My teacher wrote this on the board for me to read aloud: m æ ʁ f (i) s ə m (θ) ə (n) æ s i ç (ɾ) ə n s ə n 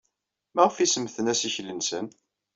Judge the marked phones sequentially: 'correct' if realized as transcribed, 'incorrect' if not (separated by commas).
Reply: correct, correct, correct, incorrect